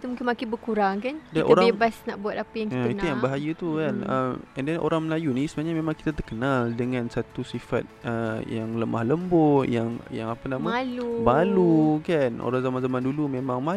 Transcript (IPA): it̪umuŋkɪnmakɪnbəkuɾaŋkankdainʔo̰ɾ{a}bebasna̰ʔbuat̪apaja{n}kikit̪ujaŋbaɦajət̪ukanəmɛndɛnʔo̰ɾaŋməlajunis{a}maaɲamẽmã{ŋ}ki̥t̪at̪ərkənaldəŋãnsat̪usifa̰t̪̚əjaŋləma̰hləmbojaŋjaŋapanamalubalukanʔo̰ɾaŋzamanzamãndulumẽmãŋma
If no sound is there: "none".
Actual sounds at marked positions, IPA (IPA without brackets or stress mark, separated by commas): a, ŋ, ə, ŋ